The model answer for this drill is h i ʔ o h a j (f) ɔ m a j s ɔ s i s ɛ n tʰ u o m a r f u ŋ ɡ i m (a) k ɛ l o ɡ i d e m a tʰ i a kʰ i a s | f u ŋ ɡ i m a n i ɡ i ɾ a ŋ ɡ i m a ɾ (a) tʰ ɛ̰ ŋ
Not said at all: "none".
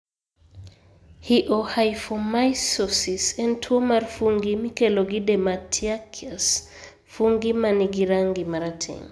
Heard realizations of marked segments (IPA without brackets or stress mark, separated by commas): f, i, a